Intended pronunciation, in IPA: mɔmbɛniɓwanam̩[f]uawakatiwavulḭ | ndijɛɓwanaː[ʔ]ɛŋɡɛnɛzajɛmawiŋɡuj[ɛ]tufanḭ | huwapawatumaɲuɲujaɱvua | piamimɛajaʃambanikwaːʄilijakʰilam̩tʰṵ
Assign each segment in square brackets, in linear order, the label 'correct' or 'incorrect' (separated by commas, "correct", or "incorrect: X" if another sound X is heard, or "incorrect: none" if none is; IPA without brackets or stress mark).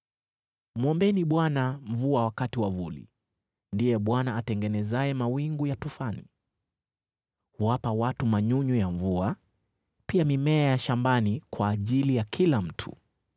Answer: incorrect: v, incorrect: t, incorrect: a